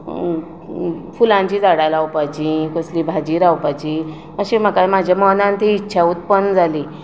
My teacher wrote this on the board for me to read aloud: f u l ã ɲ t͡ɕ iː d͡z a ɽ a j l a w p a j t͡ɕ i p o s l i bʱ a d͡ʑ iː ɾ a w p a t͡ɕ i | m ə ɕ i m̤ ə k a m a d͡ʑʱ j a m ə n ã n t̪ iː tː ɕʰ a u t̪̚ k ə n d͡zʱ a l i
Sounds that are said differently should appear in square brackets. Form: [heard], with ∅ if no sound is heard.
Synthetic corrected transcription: f u l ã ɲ t͡ɕ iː d͡z a ɽ a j l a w p a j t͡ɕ i [k] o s l i bʱ a d͡ʑ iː ɾ a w p a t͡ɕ i | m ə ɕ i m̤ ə k a m a d͡ʑʱ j a m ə n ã n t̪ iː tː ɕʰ a u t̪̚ [p] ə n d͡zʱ a l i